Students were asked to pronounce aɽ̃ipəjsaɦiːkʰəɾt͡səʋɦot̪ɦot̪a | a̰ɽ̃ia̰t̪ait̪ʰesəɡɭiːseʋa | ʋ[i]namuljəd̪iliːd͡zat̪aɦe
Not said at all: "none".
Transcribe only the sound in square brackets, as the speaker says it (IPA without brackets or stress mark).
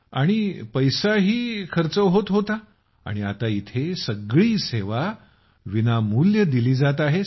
i